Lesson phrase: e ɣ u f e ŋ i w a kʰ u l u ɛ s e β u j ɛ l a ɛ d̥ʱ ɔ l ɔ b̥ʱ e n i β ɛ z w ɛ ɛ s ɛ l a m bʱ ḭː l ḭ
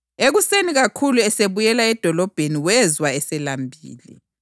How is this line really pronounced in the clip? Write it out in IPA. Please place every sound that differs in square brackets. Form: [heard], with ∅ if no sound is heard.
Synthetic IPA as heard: e ɣ u [s] e [n] i [ɣ] a kʰ u l u ɛ s e β u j ɛ l a ɛ d̥ʱ ɔ l ɔ b̥ʱ e n i [w] ɛ z w [a] ɛ s ɛ l a m bʱ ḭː l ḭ